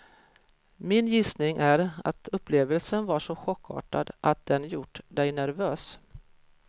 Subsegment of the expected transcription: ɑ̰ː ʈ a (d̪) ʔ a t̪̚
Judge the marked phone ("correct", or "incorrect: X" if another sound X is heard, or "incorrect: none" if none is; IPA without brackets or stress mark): correct